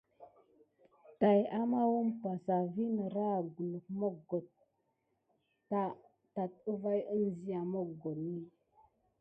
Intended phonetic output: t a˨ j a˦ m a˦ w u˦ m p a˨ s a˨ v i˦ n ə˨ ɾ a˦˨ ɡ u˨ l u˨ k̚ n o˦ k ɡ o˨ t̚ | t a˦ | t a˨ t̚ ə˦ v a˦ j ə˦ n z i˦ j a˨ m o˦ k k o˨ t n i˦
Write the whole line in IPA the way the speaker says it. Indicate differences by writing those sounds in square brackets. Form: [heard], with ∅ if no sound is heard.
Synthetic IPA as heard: t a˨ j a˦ m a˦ w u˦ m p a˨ s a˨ v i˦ n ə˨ ɾ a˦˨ ɡ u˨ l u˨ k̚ [m] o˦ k ɡ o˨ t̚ | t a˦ | t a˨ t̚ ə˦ v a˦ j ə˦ n z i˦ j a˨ m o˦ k [ɡ] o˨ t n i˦